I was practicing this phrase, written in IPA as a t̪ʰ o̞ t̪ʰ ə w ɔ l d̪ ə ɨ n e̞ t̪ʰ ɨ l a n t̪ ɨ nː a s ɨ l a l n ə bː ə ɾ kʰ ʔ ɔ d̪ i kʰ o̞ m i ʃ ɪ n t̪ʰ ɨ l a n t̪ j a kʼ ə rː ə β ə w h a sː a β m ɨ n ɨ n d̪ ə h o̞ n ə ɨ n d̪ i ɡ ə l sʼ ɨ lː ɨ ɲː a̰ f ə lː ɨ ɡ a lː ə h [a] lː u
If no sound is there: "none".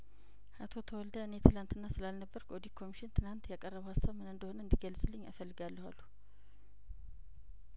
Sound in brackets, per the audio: a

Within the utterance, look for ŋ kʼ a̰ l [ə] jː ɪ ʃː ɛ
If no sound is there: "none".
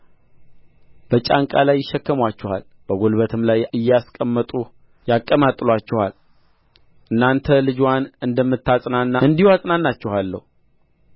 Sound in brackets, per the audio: a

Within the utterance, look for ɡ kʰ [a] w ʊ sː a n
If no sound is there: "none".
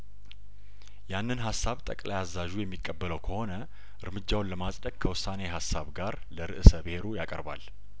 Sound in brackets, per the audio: ə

